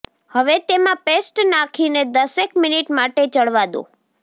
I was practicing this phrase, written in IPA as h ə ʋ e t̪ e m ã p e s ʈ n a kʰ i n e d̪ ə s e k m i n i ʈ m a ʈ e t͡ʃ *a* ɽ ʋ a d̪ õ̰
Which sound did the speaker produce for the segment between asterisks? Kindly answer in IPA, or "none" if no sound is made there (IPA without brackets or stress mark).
ə